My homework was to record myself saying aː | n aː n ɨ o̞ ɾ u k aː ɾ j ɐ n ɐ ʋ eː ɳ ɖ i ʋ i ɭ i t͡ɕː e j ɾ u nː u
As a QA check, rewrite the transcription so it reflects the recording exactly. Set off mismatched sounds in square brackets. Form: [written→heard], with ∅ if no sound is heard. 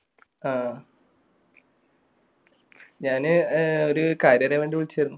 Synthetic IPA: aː | [n→ɲ] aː n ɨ o̞ ɾ u k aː ɾ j ɐ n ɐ ʋ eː ɳ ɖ i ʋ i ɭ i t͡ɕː e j ɾ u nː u